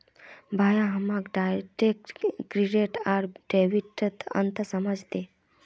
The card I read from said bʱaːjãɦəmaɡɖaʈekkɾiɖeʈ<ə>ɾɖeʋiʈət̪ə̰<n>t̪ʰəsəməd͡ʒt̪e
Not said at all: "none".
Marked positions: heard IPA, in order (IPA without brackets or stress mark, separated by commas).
a, n